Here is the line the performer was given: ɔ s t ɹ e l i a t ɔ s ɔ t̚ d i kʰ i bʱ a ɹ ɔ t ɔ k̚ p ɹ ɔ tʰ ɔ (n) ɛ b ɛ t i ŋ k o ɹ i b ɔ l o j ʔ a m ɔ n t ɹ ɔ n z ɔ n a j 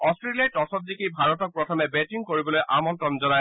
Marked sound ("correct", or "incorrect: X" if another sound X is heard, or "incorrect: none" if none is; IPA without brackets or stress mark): incorrect: m